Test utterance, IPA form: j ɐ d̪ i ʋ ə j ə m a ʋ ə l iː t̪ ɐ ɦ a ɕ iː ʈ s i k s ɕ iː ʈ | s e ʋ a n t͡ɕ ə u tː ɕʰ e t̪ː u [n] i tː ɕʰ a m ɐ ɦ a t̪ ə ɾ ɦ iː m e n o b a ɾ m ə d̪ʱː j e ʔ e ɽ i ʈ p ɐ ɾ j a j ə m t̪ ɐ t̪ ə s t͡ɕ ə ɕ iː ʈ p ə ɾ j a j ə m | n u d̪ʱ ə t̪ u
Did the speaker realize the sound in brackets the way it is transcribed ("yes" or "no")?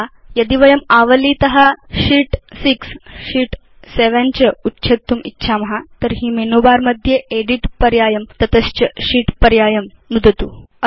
no